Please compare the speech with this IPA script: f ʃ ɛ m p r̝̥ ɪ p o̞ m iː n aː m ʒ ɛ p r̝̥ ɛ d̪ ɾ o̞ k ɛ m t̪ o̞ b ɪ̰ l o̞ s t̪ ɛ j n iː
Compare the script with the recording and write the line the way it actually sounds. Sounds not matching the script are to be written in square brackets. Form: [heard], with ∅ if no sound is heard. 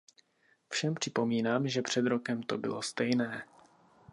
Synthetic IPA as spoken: f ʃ ɛ m p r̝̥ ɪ p o̞ m iː n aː m ʒ ɛ p r̝̥ ɛ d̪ ɾ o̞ k ɛ m t̪ o̞ b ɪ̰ l o̞ s t̪ ɛ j n [ɛː]

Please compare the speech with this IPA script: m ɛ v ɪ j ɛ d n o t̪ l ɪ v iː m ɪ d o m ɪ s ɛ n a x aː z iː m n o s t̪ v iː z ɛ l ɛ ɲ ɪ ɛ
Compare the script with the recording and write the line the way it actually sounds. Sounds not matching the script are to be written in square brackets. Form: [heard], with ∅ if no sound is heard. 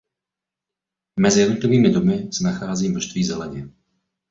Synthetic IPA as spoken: m ɛ [z] ɪ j ɛ d n o t̪ l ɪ v iː m ɪ d o m ɪ s ɛ n a x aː z iː m n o [ʃ] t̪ v iː z ɛ l ɛ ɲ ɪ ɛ

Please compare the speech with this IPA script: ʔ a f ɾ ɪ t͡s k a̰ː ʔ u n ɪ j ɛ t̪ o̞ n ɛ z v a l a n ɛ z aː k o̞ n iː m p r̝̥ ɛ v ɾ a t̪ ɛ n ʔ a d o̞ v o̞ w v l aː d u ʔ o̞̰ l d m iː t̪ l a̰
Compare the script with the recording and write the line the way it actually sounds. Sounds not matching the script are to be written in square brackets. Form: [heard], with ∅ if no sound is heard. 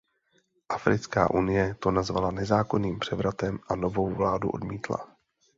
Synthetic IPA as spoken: ʔ a f ɾ ɪ t͡s k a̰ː ʔ u n ɪ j ɛ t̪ o̞ n [a] z v a l a n ɛ z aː k o̞ n iː m p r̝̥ ɛ v ɾ a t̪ ɛ [m] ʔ a [n] o̞ v o̞ w v l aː d u ʔ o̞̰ [∅] d m iː t̪ l a̰

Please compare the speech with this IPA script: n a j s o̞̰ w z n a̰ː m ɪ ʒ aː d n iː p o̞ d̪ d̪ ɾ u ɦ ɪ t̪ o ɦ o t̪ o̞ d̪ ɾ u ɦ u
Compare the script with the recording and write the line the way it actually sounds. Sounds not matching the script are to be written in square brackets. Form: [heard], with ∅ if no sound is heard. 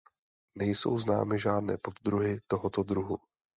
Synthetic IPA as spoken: n [ɛ] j s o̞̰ w z n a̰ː m ɪ ʒ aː d n [ɛː] p o̞ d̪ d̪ ɾ u ɦ ɪ t̪ o ɦ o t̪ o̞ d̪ ɾ u ɦ u

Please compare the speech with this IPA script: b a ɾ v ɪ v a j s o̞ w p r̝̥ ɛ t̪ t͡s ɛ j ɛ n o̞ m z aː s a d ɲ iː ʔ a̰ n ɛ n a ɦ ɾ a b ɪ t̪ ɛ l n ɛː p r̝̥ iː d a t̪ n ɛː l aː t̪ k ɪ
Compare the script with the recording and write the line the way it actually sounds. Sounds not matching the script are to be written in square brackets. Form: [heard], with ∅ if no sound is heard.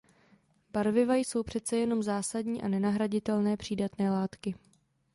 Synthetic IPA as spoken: b a ɾ v ɪ v a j s o̞ w p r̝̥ ɛ t̪ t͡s ɛ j ɛ n o̞ m z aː s a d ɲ iː ʔ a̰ n ɛ n a ɦ ɾ a [ɟ] ɪ t̪ ɛ l n ɛː p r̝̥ iː d a t̪ n ɛː l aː t̪ k ɪ

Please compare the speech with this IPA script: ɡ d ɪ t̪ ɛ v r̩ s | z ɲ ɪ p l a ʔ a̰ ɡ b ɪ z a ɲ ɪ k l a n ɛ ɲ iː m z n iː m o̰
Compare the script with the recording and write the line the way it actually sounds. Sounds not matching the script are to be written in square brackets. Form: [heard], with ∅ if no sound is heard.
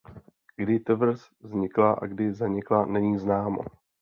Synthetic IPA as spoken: ɡ d ɪ t̪ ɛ v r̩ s | z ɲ ɪ [k] l a ʔ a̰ ɡ [d] ɪ z a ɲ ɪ k l a n ɛ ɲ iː [∅] z n [aː] m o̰

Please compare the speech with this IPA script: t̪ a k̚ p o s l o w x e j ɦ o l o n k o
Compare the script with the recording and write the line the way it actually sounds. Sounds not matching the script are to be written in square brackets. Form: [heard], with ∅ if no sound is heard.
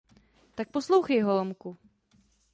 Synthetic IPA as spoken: t̪ a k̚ p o s l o w x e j ɦ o l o [m] k [u]

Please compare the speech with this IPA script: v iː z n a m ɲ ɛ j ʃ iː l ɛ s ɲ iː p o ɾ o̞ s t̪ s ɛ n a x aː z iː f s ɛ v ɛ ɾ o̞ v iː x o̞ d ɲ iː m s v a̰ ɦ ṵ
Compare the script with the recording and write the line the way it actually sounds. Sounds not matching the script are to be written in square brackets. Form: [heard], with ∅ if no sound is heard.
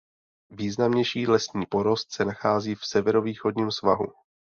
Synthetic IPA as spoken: v iː z n a m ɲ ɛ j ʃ iː l ɛ s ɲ iː p o ɾ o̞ s t̪ s ɛ n a x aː z iː f s ɛ v ɛ ɾ o̞ v iː x o̞ d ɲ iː m s v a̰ ɦ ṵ

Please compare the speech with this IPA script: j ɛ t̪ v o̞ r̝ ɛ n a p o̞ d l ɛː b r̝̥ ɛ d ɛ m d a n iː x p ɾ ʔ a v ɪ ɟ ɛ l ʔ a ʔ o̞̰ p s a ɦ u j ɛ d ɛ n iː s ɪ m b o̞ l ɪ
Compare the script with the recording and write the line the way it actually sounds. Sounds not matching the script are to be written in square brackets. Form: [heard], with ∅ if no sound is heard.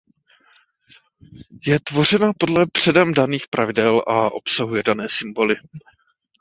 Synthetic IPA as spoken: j ɛ t̪ v o̞ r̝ ɛ n a p o̞ d l [ɛ] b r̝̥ ɛ d ɛ m d a n iː x p ɾ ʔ a v ɪ [d] ɛ l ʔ a ʔ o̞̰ p s a ɦ u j ɛ d [a] n [ɛː] s ɪ m b o̞ l ɪ

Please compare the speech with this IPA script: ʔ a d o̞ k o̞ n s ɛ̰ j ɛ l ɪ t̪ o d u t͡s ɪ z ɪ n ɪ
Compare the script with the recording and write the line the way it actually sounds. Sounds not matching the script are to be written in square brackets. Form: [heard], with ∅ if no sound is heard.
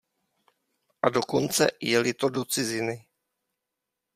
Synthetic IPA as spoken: ʔ a d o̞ k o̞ n [t͡s] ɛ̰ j ɛ l ɪ t̪ o d [o] t͡s ɪ z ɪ n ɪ

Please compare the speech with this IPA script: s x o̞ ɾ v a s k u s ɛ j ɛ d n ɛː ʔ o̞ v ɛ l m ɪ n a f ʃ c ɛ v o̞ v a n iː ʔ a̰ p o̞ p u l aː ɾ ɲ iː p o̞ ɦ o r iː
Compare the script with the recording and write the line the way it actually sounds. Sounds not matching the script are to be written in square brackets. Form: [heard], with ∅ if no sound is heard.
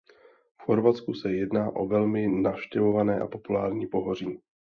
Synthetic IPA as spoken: [f] x o̞ ɾ v a [t͡s] k u s ɛ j ɛ d n [aː] ʔ o̞ v ɛ l m ɪ n a f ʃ c ɛ v o̞ v a n [ɛː] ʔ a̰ p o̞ p u l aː ɾ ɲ iː p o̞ ɦ o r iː

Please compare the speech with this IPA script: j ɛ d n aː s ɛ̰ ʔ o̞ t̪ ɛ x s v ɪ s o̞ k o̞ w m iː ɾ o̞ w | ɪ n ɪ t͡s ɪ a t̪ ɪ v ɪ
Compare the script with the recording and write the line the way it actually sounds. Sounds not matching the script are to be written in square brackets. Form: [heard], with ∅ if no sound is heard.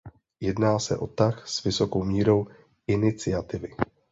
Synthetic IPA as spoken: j ɛ d n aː s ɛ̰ ʔ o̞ t̪ [a] x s v ɪ s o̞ k o̞ w m iː ɾ o̞ w | ɪ n ɪ t͡s ɪ a t̪ ɪ v ɪ

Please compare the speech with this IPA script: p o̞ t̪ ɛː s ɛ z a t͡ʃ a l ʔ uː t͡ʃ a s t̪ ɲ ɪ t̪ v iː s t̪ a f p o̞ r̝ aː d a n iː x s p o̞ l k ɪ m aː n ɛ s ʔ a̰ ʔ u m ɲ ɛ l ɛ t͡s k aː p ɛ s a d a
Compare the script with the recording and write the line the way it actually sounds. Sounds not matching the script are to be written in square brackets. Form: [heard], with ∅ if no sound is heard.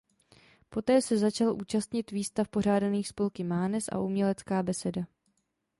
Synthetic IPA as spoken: p o̞ t̪ ɛː s ɛ z a t͡ʃ a l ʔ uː t͡ʃ a s t̪ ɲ ɪ t̪ v iː s t̪ a f p o̞ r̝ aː d a n iː x s p o̞ l k ɪ m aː n ɛ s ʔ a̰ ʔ u m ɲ ɛ l ɛ t͡s k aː [b] ɛ s [ɛ] d a

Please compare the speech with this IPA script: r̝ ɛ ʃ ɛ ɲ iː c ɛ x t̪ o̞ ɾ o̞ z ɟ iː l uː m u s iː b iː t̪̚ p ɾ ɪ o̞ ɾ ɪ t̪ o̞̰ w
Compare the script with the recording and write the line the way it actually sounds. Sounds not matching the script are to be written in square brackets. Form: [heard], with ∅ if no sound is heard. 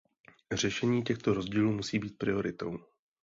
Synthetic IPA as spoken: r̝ ɛ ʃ ɛ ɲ iː c ɛ x t̪ o̞ ɾ o̞ z ɟ iː l uː m u s iː b iː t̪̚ p ɾ ɪ o̞ ɾ ɪ t̪ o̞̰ w

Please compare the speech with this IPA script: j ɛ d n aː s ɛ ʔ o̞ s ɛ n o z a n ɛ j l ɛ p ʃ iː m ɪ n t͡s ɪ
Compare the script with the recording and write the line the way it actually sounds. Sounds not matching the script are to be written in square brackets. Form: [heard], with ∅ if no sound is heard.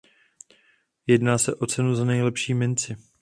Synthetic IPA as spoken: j ɛ d n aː s ɛ ʔ o̞ [t͡s] ɛ n [u] z a n ɛ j l ɛ p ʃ iː m ɪ n t͡s ɪ

